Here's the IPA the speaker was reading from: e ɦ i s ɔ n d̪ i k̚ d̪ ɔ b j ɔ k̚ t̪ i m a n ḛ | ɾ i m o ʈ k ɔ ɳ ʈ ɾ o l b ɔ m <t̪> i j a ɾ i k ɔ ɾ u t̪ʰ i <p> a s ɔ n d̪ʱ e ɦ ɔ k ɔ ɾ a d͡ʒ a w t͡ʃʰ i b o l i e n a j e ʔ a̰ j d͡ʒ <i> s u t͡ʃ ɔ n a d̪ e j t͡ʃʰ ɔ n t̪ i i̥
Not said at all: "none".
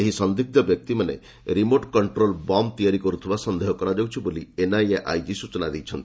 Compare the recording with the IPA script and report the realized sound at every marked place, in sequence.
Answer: t̪, b, i

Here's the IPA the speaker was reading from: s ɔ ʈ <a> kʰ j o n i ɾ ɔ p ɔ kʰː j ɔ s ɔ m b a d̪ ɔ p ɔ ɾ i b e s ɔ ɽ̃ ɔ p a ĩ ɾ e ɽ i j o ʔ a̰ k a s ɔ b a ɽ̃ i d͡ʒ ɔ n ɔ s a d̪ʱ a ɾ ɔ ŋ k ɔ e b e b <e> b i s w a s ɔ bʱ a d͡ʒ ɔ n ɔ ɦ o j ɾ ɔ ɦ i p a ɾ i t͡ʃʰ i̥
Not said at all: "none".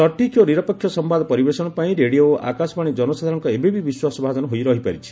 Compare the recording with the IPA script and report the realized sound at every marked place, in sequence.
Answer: i, i

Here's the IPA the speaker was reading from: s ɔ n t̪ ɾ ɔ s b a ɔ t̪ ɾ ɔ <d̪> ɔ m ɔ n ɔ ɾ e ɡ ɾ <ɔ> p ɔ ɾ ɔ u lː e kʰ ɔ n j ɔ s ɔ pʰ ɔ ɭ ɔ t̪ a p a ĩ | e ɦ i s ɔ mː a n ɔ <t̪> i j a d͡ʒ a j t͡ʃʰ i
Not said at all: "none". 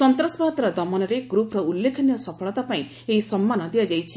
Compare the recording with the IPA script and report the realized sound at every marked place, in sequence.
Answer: d̪, u, d̪

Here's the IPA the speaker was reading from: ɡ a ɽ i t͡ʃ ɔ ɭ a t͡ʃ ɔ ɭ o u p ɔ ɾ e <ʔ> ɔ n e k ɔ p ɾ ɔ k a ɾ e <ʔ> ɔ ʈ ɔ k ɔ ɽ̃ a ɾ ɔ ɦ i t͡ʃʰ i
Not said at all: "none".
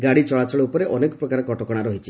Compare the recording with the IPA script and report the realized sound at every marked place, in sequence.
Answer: ʔ, k

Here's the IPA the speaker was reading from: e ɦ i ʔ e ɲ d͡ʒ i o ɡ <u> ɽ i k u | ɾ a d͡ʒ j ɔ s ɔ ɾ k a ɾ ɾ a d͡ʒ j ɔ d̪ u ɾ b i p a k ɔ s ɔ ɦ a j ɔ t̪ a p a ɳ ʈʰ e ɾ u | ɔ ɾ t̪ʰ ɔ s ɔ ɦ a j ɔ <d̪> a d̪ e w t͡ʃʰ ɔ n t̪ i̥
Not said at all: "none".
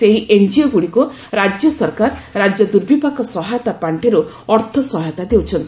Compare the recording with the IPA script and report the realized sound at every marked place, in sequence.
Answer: u, t̪

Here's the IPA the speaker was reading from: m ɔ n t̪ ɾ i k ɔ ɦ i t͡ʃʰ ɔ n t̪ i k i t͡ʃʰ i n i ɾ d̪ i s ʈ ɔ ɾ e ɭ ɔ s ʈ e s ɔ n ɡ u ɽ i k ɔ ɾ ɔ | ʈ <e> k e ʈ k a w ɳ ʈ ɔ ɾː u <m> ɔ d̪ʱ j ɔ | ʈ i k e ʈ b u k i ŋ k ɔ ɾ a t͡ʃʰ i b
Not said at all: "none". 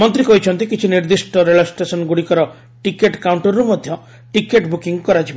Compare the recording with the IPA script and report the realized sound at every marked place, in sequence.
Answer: i, m

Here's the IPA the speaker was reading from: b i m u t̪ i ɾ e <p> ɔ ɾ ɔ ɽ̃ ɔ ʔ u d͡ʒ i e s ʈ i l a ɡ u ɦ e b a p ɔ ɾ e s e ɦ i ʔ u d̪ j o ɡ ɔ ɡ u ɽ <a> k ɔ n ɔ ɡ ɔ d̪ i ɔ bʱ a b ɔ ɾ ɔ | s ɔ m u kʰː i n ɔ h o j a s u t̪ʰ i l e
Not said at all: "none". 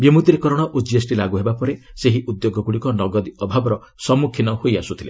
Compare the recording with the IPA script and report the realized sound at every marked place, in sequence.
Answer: k, i

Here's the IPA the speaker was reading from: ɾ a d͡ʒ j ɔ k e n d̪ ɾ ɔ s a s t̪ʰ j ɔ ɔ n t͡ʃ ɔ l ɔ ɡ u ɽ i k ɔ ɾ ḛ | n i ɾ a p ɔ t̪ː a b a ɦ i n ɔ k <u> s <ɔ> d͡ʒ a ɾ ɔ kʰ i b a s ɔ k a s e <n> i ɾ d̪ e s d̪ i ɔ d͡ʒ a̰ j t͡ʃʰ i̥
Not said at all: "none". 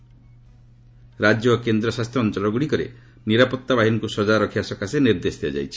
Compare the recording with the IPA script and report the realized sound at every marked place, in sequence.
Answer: u, ɔ, n

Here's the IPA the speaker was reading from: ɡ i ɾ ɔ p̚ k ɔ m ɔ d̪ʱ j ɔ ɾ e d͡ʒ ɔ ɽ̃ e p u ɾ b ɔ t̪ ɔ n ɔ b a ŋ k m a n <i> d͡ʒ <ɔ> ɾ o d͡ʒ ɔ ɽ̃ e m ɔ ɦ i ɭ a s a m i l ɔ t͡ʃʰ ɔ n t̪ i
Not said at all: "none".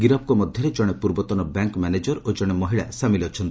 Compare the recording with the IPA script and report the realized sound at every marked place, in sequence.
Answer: e, ɔ

